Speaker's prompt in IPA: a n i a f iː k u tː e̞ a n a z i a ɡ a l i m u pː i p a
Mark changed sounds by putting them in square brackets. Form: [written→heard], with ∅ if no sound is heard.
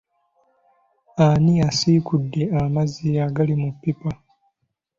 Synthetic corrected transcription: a n i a [f→s] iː k u [tː→dː] e̞ a [n→m] a z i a ɡ a l i m u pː i p a